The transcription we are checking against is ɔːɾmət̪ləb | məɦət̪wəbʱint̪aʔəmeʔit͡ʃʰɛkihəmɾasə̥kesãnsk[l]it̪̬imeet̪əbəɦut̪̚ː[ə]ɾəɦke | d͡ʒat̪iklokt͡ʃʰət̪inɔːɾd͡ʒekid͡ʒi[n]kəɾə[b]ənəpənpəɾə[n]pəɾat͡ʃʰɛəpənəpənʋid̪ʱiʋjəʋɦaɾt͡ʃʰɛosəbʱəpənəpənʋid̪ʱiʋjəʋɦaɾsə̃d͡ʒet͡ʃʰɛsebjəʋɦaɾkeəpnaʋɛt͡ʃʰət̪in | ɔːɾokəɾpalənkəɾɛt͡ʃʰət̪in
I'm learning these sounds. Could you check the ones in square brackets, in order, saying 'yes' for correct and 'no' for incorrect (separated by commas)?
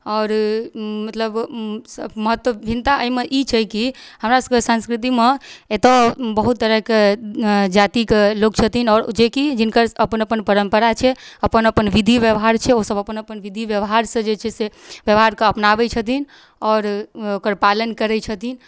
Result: no, yes, yes, no, no